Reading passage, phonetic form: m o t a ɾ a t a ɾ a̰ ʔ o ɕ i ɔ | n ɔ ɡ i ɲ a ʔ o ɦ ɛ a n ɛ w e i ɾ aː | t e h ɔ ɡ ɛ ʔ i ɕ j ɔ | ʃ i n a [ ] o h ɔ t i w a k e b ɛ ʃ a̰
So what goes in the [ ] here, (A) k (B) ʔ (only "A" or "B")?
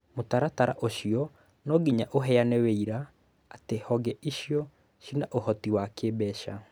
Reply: B